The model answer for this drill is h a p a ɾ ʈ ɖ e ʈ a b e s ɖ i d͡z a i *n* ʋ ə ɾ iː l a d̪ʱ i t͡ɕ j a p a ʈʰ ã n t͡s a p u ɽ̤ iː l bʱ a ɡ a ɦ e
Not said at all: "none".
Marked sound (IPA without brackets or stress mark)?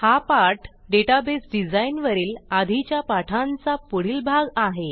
n